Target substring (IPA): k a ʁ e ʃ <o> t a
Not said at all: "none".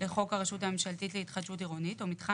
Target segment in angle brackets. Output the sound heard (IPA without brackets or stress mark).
u